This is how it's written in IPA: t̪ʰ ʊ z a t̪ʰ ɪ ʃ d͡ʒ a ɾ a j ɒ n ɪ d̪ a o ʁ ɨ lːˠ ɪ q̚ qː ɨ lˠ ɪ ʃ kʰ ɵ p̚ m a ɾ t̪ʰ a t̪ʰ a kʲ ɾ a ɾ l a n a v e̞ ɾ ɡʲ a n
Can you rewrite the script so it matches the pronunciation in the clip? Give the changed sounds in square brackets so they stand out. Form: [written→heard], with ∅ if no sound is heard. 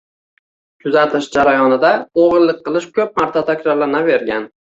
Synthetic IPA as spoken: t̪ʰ ʊ z a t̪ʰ ɪ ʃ d͡ʒ a ɾ a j ɒ n ɪ d̪ a o ʁ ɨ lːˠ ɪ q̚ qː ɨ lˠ ɪ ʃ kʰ ɵ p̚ m a ɾ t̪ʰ a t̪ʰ a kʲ ɾ a ɾ l a n a v e̞ ɾ ɡʲ a n